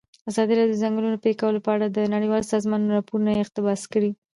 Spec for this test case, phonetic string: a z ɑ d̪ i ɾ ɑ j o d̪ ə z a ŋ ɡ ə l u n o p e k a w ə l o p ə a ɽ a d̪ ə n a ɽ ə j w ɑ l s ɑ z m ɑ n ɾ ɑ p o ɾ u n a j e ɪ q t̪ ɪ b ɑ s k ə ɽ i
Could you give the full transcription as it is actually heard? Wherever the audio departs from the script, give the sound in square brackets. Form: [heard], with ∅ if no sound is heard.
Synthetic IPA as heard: a z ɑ d̪ i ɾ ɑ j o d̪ ə z a ŋ ɡ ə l u n o p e k a w ə l o p ə a ɽ a d̪ ə n a ɽ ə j w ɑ l s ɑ z m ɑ n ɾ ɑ p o ɾ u n a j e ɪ q t̪ ɪ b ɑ s k ə ɽ i